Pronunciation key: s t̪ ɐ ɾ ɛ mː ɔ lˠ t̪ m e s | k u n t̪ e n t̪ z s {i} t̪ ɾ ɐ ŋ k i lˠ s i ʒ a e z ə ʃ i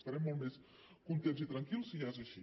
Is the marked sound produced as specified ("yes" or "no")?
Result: yes